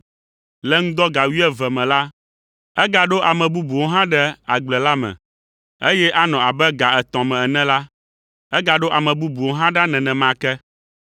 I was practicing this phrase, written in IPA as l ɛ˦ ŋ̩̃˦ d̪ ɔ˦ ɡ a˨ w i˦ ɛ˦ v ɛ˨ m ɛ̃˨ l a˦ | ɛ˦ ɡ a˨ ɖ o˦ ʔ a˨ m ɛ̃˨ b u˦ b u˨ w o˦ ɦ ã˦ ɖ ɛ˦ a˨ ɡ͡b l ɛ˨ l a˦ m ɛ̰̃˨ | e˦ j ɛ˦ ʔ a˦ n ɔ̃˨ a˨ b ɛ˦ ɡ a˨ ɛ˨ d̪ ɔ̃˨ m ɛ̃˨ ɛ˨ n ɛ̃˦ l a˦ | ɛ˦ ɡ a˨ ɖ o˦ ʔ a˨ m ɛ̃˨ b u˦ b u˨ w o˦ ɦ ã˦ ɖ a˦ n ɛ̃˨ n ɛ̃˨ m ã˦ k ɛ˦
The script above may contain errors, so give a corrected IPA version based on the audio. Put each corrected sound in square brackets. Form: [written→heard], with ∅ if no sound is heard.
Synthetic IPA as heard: l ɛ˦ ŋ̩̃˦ d̪ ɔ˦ ɡ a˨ w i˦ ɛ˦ v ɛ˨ m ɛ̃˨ l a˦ | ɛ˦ ɡ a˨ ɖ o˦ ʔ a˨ m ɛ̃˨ b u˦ b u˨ w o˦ ɦ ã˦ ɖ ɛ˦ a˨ ɡ͡b l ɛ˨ l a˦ m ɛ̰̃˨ | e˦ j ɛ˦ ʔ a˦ n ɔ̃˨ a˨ b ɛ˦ ɡ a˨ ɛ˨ [d̪→t̪] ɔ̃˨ m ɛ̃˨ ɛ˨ n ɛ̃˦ l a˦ | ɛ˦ ɡ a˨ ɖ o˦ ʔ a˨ m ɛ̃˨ b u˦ b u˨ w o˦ ɦ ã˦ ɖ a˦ n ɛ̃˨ n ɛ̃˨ m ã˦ k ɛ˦

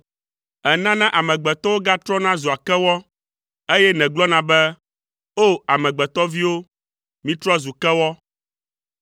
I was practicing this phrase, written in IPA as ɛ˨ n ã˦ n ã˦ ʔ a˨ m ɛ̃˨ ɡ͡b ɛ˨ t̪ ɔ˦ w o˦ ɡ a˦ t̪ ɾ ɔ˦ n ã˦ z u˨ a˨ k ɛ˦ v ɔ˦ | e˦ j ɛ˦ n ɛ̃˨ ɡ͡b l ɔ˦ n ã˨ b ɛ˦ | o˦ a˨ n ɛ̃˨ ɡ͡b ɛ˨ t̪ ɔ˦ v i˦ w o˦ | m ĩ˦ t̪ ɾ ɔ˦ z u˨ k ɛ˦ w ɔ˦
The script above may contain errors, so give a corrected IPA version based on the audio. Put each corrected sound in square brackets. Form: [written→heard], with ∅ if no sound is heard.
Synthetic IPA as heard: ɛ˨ n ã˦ n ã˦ ʔ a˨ m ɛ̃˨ ɡ͡b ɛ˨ t̪ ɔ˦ w o˦ ɡ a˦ t̪ ɾ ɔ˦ n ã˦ z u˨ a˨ k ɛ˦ [v→w] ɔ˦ | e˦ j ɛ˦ n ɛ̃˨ ɡ͡b l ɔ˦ n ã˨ b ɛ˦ | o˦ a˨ [n→m] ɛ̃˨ ɡ͡b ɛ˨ t̪ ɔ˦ v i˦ w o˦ | m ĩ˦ t̪ ɾ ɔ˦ z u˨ k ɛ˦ w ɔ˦

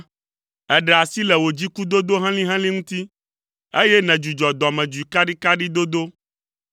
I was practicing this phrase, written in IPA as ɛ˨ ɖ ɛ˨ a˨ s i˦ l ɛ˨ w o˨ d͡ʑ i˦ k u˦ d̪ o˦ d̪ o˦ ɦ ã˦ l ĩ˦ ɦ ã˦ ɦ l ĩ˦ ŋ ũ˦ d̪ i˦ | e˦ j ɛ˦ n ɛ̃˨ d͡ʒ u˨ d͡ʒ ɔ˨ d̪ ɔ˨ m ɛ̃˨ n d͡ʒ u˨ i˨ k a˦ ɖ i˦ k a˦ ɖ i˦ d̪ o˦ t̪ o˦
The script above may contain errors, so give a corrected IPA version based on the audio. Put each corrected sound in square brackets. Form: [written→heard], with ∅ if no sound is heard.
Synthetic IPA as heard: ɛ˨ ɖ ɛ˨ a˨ s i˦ l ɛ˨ w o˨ d͡ʑ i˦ k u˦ d̪ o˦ d̪ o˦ ɦ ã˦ l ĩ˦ ɦ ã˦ [ɦ→∅] l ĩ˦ ŋ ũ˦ [d̪→t̪] i˦ | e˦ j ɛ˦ n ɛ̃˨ d͡ʒ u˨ d͡ʒ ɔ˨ d̪ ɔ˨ m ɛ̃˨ [n→∅] d͡ʒ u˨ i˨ k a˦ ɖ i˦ k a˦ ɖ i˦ d̪ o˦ [t̪→d̪] o˦

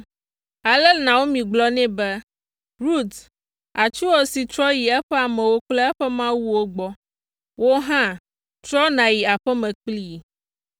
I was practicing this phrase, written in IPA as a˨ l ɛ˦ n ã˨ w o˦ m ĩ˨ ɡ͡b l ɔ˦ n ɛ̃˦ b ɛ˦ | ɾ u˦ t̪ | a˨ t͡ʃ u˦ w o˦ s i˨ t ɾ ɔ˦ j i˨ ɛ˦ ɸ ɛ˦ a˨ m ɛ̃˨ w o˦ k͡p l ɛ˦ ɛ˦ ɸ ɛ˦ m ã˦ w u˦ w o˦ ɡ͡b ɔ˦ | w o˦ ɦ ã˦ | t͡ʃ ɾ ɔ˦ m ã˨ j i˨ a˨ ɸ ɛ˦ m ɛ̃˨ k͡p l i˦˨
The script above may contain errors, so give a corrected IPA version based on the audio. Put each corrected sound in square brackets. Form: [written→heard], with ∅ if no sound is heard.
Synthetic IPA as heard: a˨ l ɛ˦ n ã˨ w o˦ m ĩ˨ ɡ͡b l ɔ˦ n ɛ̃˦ b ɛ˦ | ɾ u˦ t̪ | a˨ t͡ʃ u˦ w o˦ s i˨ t ɾ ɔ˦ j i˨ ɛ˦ ɸ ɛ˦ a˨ m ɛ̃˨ w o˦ k͡p l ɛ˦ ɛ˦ ɸ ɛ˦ m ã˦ w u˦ w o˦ ɡ͡b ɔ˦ | w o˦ ɦ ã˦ | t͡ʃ ɾ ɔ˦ [m→n] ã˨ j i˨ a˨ ɸ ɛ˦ m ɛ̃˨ k͡p l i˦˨

